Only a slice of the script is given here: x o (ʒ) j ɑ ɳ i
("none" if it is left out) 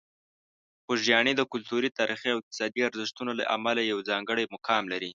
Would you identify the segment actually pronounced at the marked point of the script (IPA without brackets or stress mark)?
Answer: ʒ